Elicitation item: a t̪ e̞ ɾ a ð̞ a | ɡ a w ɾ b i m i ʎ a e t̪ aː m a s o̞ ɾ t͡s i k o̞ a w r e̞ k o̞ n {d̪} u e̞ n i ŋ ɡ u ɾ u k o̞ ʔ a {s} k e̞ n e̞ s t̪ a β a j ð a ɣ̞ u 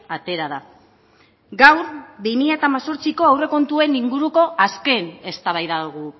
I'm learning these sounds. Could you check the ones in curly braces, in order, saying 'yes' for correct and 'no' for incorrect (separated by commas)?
no, yes